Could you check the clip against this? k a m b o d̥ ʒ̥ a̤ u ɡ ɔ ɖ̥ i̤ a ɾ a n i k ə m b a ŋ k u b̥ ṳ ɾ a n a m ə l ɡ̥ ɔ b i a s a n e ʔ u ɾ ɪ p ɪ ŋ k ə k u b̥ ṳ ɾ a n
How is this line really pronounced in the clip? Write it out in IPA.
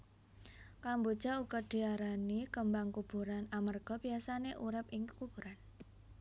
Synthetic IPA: k a m b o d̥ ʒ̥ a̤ u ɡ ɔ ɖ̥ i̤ a ɾ a n i k ə m b a ŋ k u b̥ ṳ ɾ a n a m ə r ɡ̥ ɔ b i a s a n e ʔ u ɾ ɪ p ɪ ŋ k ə k u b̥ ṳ ɾ a n